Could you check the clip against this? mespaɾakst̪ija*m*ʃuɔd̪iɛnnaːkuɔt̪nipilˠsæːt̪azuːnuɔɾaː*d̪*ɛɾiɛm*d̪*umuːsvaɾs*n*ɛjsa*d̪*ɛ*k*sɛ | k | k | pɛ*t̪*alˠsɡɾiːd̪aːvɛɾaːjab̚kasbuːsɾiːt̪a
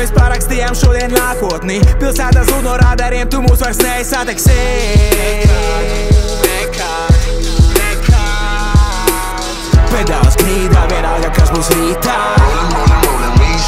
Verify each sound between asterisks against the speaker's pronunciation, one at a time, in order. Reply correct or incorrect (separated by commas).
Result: correct, correct, incorrect, correct, incorrect, correct, incorrect